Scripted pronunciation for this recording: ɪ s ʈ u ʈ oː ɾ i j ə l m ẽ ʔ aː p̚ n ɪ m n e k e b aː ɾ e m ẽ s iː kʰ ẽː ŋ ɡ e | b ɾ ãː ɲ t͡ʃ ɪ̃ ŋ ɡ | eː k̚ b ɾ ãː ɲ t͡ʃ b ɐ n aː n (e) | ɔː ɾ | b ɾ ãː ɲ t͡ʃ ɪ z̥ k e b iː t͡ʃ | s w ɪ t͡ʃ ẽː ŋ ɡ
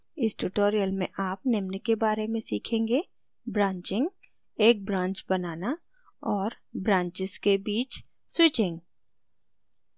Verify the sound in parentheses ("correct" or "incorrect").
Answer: incorrect